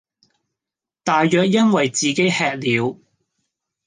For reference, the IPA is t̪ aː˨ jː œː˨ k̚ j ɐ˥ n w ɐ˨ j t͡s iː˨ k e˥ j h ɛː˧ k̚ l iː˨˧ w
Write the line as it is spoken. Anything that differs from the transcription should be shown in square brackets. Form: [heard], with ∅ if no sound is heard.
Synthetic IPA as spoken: t̪ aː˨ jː œː˨ k̚ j ɐ˥ n w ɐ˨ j t͡s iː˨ k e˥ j h ɛː˧ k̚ l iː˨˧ w